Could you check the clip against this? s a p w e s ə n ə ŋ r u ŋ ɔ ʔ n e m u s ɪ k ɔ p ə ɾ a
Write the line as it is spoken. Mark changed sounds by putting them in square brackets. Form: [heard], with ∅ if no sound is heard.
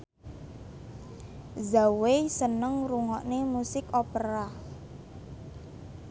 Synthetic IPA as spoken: [z] a [∅] w e s ə n ə ŋ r u ŋ ɔ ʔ n e m u s ɪ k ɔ p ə ɾ a